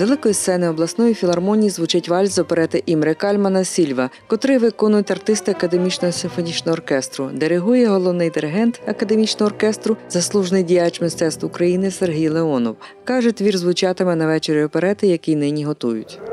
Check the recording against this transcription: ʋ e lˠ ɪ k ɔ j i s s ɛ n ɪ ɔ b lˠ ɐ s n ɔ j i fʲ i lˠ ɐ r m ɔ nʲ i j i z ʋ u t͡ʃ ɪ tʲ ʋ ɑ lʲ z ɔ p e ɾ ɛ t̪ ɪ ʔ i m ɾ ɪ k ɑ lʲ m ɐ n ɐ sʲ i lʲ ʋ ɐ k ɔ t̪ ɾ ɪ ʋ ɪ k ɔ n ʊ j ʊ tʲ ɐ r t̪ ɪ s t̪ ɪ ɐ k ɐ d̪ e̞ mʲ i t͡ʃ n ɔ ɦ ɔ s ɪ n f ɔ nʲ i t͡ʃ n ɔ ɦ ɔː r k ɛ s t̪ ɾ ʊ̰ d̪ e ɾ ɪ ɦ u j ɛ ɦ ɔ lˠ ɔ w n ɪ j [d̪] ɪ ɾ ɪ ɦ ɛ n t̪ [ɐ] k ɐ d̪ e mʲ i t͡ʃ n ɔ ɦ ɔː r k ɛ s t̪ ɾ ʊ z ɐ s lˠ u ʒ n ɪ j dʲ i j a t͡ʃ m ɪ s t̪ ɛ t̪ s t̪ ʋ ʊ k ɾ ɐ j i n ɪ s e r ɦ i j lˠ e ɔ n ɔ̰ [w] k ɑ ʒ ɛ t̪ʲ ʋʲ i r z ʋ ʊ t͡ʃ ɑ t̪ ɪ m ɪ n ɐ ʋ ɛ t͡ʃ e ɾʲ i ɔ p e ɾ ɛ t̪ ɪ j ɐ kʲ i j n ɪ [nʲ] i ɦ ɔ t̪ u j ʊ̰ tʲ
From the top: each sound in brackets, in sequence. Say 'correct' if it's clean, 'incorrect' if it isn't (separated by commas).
correct, correct, correct, correct